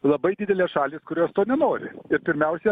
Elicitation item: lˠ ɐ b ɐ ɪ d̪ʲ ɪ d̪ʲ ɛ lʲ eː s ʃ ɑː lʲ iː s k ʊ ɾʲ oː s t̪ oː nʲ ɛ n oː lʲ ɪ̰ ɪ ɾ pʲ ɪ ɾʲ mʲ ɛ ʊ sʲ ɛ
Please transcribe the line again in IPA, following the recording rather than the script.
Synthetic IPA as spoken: lˠ ɐ b ɐ ɪ d̪ʲ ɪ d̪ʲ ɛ lʲ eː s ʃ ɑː lʲ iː s k ʊ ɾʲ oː s t̪ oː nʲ ɛ n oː ɾʲ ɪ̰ ɪ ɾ pʲ ɪ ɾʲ mʲ ɛ ʊ sʲ ɛ